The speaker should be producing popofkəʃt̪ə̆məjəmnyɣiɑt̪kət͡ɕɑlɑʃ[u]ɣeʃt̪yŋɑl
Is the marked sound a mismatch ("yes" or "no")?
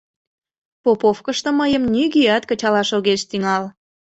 yes